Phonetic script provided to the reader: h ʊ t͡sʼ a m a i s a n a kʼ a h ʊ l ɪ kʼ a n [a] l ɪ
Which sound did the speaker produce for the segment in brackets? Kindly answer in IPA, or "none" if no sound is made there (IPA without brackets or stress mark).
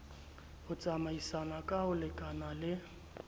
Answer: a